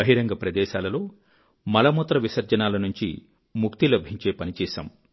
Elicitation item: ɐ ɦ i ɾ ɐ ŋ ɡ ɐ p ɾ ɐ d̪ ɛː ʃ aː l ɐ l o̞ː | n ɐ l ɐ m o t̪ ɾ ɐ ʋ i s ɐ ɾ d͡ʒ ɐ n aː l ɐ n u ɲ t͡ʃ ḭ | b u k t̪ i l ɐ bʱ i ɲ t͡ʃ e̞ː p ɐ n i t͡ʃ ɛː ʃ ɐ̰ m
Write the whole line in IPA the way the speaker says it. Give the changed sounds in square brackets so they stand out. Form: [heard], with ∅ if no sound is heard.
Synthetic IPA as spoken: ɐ ɦ i ɾ ɐ ŋ ɡ ɐ p ɾ ɐ d̪ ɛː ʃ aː l ɐ l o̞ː | [m] ɐ l ɐ m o t̪ ɾ ɐ ʋ i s ɐ ɾ d͡ʒ ɐ n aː l ɐ n u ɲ t͡ʃ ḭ | [m] u k t̪ i l ɐ bʱ i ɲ t͡ʃ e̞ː p ɐ n i t͡ʃ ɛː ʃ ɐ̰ m